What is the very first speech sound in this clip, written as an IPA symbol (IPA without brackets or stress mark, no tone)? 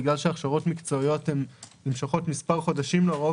ɡ